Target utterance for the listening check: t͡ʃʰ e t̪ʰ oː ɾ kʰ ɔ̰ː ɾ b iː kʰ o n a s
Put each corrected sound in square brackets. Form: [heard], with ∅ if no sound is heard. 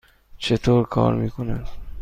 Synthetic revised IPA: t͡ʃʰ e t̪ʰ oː ɾ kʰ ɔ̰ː ɾ [m] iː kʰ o n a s